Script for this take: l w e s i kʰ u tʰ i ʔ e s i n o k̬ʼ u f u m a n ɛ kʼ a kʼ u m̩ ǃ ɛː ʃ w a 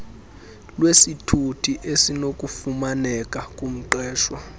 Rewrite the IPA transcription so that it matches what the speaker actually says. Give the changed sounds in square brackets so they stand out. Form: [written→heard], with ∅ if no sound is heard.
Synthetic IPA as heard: l w e s i [kʰ→tʰ] u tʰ i ʔ e s i n o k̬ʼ u f u m a n ɛ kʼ a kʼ u m̩ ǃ ɛː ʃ w a